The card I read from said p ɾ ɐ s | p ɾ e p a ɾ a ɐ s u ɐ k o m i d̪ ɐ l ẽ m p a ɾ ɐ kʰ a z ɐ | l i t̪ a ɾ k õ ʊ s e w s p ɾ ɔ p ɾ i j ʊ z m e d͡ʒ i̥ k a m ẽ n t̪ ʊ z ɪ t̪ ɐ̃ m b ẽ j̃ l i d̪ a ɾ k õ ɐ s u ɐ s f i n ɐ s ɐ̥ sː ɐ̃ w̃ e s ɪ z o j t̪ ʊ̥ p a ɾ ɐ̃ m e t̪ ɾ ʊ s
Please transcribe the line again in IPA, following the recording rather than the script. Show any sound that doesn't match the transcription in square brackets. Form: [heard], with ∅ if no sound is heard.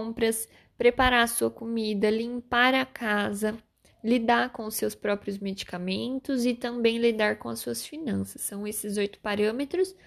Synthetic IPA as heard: p ɾ ɐ s | p ɾ e p a ɾ a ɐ s u ɐ k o m i d̪ ɐ l [ĩ] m p a ɾ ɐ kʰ a z ɐ | l i [d̪] a ɾ k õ ʊ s e w s p ɾ ɔ p ɾ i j ʊ z m e d͡ʒ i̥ k a m ẽ n t̪ ʊ z ɪ t̪ ɐ̃ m b ẽ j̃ l i d̪ a ɾ k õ ɐ s u ɐ s f i n [ɐ̃] s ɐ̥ sː ɐ̃ w̃ e s ɪ z o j t̪ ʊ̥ p a ɾ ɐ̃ m e t̪ ɾ ʊ s